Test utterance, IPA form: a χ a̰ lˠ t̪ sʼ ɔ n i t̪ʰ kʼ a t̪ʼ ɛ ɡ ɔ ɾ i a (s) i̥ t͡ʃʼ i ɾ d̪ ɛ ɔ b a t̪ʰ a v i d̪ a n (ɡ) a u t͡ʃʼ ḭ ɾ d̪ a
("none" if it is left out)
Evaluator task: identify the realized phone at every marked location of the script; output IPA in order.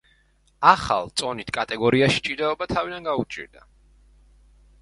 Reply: ʃ, ɡ

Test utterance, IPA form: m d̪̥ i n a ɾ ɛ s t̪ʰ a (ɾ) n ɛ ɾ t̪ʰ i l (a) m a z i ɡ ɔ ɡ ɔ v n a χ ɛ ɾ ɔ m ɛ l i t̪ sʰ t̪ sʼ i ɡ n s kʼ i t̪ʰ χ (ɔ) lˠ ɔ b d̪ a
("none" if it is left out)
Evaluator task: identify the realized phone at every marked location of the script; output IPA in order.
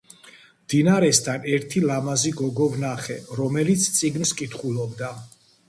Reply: none, a, u

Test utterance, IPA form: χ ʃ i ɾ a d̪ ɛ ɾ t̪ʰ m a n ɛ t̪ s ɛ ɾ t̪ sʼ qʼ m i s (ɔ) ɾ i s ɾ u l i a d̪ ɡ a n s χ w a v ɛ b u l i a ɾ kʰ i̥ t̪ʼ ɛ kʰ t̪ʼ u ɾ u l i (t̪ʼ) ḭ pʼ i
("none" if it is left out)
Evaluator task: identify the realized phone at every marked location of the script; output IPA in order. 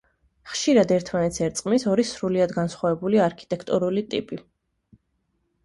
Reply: ɔ, t̪ʼ

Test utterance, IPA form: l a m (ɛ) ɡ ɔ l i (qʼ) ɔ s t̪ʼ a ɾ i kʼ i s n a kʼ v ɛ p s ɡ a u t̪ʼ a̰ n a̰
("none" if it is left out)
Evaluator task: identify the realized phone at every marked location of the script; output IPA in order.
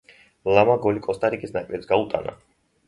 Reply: a, kʼ

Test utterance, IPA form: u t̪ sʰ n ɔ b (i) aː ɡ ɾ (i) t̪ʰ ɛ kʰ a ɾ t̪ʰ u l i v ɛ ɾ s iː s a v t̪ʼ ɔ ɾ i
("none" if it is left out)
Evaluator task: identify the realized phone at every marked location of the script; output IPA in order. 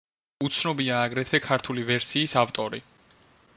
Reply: i, ɛ

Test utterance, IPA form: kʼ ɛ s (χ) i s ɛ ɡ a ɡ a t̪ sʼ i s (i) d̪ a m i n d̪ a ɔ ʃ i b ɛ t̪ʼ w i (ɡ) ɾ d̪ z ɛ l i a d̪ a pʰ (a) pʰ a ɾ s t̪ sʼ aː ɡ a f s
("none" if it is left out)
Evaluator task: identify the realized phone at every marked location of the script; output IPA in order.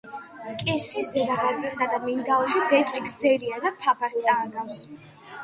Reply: χ, a, ɡ, a

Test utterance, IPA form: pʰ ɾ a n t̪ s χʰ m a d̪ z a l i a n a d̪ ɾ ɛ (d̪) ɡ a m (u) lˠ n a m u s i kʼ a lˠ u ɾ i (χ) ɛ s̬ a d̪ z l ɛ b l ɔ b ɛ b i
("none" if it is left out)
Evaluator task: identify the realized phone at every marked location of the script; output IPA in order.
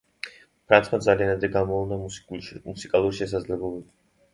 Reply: none, ɔ, ʃ

